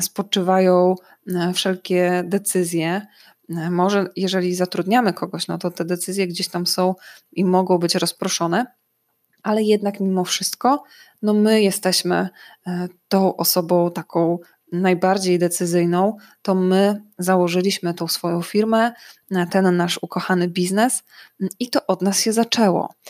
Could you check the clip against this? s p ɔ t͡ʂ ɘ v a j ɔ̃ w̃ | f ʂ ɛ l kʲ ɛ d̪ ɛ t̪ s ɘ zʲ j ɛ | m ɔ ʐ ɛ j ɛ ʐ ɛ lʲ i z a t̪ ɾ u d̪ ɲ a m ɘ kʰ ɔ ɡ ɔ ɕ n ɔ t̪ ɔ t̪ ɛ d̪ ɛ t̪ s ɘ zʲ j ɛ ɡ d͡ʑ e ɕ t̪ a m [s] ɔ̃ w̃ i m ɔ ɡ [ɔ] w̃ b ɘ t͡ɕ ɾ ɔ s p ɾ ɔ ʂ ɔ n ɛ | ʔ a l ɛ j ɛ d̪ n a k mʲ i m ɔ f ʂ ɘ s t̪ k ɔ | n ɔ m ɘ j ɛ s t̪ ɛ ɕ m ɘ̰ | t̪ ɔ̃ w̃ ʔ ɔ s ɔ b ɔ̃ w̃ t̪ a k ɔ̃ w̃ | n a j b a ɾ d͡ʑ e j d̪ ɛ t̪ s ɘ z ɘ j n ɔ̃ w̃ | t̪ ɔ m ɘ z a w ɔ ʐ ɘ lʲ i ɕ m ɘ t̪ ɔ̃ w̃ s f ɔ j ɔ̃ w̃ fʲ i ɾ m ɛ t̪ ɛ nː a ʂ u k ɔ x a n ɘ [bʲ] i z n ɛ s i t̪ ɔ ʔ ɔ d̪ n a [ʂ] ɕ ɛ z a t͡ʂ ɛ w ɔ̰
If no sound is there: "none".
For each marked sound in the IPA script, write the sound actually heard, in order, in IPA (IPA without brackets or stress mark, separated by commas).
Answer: s, ɔ̃, bʲ, s